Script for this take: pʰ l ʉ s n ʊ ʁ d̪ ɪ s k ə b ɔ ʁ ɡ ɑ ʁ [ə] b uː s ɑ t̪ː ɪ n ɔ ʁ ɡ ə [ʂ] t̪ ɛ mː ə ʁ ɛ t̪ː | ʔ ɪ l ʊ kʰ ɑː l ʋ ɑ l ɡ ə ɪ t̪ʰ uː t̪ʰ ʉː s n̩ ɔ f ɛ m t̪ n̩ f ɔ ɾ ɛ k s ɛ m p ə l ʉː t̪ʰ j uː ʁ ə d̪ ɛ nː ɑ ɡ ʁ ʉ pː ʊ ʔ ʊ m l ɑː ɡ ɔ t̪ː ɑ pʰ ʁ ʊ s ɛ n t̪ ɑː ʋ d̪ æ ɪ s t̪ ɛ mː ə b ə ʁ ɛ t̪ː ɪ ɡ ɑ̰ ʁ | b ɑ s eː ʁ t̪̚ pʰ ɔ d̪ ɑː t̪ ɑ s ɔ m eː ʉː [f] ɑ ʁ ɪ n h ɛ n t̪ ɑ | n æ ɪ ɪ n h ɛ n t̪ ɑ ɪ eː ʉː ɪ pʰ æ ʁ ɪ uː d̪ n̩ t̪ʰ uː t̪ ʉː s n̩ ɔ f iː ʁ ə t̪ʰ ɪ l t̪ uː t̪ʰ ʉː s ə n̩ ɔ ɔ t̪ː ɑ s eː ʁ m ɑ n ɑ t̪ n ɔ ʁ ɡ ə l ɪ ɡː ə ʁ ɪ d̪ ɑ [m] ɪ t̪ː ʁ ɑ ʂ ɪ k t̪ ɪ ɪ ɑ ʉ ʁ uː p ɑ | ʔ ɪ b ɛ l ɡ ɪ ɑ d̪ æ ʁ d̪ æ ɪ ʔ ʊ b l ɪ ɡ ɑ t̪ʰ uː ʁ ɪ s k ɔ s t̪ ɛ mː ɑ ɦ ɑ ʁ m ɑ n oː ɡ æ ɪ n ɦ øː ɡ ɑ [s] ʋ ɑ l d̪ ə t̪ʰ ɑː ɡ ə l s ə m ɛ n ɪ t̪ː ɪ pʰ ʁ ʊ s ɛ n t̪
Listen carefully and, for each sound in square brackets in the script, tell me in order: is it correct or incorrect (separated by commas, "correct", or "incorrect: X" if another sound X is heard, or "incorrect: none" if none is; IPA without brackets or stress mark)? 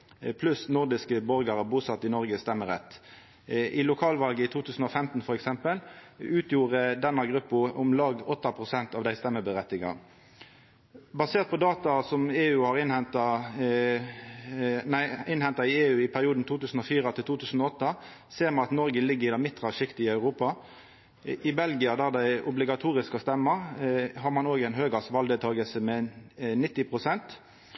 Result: correct, incorrect: s, incorrect: h, correct, correct